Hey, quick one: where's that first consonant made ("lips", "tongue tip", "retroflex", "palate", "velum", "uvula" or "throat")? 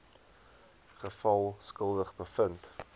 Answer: uvula